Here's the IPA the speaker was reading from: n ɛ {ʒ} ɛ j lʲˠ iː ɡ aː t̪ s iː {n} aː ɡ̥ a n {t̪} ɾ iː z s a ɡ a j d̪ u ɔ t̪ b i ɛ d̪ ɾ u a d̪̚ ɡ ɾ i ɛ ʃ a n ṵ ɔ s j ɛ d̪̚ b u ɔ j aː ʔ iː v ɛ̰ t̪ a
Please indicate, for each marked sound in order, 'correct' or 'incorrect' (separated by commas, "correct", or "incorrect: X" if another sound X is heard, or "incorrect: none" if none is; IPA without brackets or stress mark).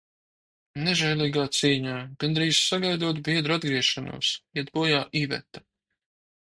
correct, incorrect: ɲ, incorrect: d̪